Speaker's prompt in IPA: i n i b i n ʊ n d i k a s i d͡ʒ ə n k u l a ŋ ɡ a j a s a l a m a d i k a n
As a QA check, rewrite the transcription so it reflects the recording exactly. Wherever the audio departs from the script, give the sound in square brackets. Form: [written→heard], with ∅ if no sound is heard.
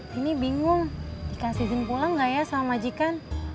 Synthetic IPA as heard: i n i b i [n→ŋ] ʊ [n→ŋ] d i k a s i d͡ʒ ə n [k→p] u l a ŋ ɡ a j a s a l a m a [d→d͡ʒ] i k a n